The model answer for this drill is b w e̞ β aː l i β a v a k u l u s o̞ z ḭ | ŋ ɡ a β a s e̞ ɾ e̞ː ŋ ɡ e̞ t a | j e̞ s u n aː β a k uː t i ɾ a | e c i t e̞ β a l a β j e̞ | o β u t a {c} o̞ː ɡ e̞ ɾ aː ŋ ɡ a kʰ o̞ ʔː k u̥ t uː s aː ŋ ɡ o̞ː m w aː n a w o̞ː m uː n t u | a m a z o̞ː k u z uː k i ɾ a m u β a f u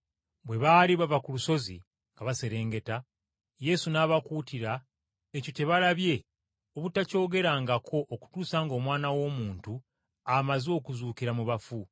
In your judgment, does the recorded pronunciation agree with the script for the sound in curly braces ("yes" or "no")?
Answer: yes